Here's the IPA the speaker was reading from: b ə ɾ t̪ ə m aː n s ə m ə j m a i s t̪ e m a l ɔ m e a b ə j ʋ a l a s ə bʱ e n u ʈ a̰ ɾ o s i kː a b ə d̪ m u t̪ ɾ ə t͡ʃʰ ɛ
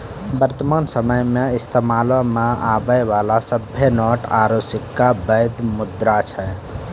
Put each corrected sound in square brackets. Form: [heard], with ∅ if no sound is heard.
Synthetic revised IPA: b ə ɾ t̪ ə m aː n s ə m ə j m [e] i s t̪ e m a l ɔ m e a b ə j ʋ a l a s ə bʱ e n [ɔ] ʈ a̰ ɾ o s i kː a b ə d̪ m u [d̪] ɾ [a] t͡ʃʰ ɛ